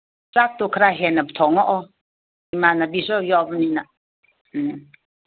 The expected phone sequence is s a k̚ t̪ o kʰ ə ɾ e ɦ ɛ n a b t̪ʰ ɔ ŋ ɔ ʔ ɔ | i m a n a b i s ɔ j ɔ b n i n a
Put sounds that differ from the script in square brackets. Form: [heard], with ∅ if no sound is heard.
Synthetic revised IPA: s a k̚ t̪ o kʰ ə ɾ [a] ɦ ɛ n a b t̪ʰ ɔ ŋ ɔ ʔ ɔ | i m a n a b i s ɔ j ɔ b n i n a